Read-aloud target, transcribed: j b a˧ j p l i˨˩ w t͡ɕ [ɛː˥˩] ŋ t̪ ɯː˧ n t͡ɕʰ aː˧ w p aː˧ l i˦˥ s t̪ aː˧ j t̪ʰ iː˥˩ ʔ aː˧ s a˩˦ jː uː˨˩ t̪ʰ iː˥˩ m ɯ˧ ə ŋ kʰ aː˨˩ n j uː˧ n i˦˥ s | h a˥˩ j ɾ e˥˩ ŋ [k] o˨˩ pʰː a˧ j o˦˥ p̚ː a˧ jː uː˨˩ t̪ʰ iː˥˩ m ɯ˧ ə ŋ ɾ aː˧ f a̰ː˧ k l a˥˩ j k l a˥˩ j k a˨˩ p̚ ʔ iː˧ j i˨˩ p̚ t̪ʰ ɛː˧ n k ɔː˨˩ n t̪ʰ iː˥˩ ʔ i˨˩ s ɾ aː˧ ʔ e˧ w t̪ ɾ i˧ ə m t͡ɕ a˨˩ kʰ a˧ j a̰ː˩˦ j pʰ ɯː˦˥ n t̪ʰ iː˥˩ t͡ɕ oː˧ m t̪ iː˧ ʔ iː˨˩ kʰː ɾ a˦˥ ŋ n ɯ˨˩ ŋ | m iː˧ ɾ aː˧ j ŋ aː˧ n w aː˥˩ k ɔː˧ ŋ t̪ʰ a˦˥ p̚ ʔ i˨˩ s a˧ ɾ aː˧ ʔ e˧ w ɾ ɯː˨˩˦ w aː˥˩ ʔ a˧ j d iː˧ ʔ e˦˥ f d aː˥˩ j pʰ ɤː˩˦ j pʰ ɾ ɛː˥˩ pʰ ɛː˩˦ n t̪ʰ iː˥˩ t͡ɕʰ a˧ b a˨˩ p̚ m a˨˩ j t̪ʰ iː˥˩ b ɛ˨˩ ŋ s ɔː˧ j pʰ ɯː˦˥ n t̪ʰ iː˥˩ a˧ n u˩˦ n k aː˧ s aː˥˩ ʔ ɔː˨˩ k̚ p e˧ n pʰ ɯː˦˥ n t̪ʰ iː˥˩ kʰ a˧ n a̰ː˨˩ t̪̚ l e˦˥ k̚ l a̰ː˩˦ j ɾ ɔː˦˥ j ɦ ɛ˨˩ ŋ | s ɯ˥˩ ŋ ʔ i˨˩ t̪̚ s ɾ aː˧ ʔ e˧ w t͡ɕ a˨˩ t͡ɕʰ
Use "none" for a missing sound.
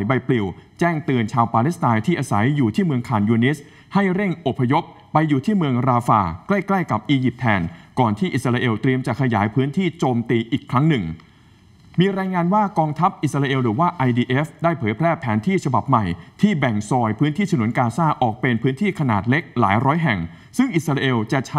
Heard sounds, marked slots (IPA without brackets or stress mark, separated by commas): ɛː˥˩, ʔ